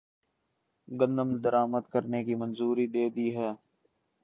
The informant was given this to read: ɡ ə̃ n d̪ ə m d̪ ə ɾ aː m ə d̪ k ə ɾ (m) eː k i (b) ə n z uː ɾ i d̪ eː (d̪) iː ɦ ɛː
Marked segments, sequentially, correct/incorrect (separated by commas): incorrect, incorrect, correct